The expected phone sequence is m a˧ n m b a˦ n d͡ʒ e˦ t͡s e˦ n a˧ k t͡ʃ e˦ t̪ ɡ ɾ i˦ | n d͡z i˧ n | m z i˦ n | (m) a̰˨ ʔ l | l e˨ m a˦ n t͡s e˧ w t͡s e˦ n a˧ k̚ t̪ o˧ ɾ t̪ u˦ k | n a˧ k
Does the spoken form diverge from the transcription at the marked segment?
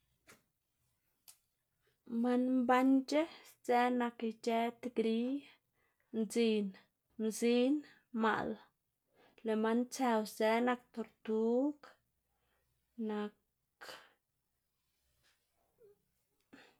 no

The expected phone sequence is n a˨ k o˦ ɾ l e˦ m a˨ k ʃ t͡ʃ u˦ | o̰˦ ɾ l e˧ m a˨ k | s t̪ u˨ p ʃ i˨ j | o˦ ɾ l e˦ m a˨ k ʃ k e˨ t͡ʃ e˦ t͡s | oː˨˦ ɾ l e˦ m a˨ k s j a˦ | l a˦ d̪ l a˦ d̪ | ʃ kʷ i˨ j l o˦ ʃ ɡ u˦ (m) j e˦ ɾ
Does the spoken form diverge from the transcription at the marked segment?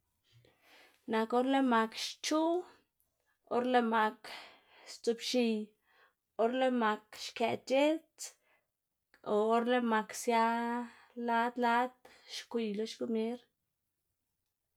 no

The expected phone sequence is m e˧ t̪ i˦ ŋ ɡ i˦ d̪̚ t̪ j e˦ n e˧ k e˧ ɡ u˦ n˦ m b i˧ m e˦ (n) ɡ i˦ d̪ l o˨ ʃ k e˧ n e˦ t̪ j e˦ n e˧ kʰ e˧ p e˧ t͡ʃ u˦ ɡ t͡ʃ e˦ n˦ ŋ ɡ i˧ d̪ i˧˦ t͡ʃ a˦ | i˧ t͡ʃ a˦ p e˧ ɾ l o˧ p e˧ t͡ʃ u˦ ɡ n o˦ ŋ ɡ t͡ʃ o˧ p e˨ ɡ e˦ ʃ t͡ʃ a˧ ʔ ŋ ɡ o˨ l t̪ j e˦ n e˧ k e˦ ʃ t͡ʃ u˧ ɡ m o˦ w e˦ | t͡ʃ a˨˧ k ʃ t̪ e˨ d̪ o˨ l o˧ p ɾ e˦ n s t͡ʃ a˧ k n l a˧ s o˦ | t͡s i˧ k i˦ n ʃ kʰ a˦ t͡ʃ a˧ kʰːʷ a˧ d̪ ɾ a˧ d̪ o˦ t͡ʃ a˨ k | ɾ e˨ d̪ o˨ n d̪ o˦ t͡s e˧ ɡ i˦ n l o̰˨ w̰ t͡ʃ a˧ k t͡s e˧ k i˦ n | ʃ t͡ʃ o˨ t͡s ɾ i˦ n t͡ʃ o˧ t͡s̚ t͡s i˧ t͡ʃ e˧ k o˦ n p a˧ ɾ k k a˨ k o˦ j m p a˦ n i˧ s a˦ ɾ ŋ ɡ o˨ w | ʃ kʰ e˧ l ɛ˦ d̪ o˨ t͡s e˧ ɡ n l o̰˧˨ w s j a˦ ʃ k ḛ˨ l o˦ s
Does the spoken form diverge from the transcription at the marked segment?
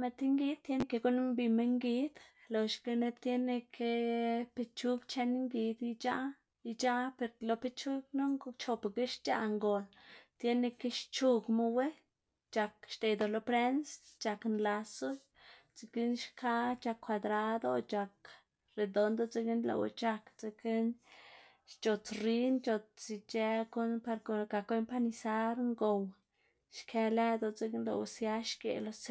yes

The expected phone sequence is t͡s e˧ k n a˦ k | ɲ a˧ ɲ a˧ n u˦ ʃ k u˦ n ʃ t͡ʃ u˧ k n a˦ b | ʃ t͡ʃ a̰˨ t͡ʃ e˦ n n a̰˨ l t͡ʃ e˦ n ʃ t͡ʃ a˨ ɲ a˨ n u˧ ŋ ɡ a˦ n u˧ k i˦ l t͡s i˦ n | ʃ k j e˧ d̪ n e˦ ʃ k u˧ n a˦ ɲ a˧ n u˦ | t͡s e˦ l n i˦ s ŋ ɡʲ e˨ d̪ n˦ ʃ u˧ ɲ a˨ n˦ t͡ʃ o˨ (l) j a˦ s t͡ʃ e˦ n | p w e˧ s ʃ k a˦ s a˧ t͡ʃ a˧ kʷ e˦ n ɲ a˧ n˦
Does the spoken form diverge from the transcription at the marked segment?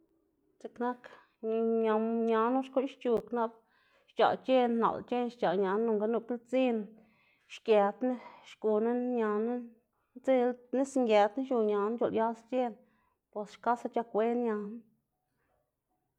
no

